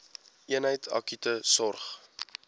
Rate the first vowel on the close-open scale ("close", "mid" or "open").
close